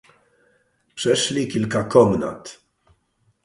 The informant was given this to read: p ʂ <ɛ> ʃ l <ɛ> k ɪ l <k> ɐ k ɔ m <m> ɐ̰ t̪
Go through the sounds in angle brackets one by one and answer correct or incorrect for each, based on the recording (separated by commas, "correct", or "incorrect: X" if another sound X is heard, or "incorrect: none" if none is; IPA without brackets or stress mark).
correct, incorrect: i, correct, incorrect: n